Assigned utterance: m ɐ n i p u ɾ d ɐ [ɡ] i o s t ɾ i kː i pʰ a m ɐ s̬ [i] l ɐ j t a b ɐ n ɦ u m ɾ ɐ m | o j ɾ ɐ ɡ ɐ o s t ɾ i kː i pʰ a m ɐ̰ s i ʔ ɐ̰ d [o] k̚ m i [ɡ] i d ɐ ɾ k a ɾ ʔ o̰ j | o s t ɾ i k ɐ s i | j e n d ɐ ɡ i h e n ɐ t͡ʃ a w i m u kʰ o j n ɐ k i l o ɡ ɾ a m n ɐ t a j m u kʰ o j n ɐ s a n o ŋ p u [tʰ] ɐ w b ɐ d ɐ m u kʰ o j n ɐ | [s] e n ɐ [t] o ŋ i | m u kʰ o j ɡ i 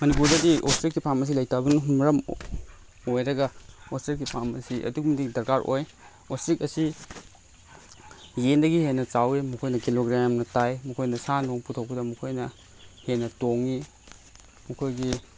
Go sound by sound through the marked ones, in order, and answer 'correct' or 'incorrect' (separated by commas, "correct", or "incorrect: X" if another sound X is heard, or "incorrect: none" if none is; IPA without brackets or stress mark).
incorrect: d, correct, incorrect: u, incorrect: d, correct, incorrect: h, correct